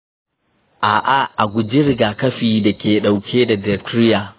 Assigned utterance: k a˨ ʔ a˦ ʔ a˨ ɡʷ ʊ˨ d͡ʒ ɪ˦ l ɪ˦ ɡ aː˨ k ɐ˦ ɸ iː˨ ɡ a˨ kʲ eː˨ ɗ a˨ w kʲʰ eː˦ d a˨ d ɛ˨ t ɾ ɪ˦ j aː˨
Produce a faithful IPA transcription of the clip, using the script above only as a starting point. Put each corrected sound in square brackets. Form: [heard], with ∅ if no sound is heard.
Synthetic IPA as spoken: [ʔ] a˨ ʔ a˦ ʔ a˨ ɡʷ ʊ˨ d͡ʒ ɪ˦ [ɾ] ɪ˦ ɡ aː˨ k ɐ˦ ɸ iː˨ [d] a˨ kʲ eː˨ ɗ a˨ w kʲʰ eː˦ d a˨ d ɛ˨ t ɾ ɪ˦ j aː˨